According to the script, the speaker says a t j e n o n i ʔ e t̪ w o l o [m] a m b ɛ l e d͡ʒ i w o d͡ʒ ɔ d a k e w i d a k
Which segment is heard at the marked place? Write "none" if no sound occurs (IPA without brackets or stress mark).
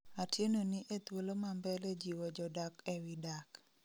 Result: m